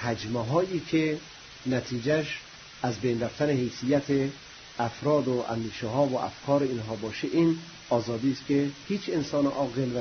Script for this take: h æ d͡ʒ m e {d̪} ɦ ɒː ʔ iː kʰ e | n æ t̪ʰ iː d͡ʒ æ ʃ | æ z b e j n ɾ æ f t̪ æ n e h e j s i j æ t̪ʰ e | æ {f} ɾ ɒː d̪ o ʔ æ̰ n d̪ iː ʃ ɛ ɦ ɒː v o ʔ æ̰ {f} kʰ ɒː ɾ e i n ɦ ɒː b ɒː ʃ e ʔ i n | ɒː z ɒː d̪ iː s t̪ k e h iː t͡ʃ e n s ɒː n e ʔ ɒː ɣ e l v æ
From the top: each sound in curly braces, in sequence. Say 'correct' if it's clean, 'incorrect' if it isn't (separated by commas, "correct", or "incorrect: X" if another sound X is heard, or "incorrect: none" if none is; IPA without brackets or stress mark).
incorrect: none, correct, correct